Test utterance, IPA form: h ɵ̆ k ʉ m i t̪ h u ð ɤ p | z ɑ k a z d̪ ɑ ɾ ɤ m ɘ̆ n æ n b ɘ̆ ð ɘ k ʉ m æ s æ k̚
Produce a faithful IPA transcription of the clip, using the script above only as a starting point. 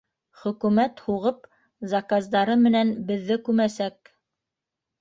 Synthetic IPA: χ ɵ̆ k ʉ m æ t̪ h u ʁ ɤ p | z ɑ k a z d̪ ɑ ɾ ɤ m ɘ̆ n æ n b ɘ̆ ðː ɘ k ʉ m æ s æ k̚